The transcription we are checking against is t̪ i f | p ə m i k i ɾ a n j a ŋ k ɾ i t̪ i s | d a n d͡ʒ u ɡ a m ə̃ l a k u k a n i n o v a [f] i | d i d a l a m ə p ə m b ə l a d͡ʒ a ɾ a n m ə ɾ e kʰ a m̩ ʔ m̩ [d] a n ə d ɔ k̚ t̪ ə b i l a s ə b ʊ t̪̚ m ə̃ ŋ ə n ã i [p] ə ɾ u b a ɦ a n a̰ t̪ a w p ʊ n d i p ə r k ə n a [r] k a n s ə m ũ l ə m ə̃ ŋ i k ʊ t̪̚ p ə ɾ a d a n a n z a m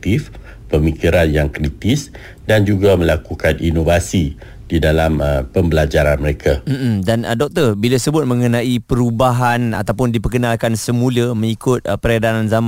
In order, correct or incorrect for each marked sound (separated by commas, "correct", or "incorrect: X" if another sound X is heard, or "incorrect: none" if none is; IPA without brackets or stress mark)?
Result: incorrect: s, correct, correct, incorrect: l